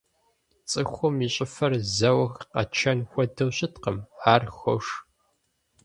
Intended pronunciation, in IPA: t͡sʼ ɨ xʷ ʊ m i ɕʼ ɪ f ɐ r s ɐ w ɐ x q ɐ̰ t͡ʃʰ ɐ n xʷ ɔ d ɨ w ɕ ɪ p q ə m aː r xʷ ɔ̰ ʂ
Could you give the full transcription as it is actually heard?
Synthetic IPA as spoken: t͡sʼ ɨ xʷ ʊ m i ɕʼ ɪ f ɐ r z ɐ w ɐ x q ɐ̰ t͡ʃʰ ɐ n xʷ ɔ d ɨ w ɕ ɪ t q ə m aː r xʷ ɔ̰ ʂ

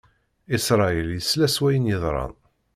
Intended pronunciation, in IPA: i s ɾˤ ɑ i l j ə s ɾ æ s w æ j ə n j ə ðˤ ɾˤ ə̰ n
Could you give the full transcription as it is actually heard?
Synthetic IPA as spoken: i s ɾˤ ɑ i l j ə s l æ s w æ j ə n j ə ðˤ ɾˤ ɑ̰ n

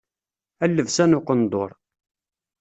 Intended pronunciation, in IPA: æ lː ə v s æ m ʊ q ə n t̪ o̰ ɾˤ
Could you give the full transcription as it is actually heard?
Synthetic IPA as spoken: æ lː ə v s æ n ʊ q ə n d̪ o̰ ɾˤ

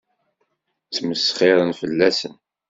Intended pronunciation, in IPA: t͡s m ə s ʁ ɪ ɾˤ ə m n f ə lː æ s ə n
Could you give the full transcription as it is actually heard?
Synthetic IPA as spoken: t͡s m ə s χ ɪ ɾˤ ə n f ə lː æ s ə n

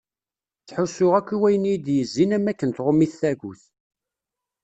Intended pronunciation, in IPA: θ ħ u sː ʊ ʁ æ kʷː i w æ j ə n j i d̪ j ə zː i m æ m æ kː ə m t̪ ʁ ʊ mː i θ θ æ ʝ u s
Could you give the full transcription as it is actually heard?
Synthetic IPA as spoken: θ ħ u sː ʊ ʁ æ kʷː i w æ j ə n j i d̪ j ə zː i n æ m æ kː ə n t̪ ʁ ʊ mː i θ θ æ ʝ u θ

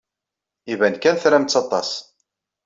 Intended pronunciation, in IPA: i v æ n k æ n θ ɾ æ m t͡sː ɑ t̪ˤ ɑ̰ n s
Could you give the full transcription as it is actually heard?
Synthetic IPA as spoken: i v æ n k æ n θ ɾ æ m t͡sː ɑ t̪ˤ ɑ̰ s

